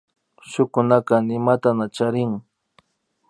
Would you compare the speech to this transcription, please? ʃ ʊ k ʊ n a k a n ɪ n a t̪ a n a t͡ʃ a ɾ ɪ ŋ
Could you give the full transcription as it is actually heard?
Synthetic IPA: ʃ ʊ k ʊ n a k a n ɪ m a t̪ a n a t͡ʃ a ɾ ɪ ŋ